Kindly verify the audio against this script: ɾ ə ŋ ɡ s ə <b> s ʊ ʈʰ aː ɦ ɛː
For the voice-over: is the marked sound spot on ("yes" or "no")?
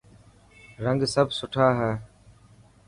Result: yes